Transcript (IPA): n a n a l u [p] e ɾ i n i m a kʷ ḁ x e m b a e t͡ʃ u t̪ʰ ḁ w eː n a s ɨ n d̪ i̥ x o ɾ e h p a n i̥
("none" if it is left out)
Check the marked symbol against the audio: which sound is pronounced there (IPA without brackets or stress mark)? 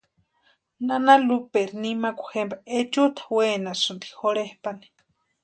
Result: p